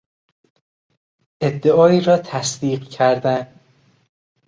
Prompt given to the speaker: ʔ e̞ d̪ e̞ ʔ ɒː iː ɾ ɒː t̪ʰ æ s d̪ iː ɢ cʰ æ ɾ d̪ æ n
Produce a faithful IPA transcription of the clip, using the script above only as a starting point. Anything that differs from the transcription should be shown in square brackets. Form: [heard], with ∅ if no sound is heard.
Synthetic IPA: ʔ e̞ [d̪ː] e̞ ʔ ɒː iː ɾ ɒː t̪ʰ æ s d̪ iː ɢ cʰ æ ɾ d̪ æ n